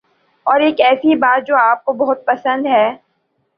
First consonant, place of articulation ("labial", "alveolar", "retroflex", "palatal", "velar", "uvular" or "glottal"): alveolar